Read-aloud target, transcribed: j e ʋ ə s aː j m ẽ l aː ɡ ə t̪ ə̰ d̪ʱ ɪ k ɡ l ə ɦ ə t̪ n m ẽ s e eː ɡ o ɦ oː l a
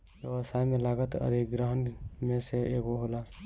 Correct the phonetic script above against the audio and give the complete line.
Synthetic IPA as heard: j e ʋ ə s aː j m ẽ l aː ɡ ə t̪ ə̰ d̪ʱ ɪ k ɡ ɾ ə ɦ ə n m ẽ s e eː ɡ o ɦ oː l a